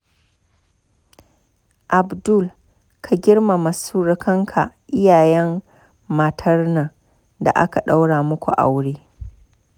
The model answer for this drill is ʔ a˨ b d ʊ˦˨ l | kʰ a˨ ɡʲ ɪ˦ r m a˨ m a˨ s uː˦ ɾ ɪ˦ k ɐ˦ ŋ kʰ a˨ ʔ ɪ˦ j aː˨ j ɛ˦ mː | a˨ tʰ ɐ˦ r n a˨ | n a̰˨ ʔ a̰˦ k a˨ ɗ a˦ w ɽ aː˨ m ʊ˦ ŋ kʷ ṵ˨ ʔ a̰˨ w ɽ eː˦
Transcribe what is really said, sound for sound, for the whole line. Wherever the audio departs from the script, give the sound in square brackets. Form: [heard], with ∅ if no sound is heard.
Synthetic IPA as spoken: ʔ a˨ b d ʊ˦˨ l | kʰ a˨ ɡʲ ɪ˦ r m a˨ m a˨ s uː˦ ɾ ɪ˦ k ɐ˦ ŋ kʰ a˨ ʔ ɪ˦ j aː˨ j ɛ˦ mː | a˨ tʰ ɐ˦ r n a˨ | [d] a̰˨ ʔ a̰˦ k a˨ ɗ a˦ w ɽ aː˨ m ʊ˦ [∅] kʷ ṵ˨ ʔ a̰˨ w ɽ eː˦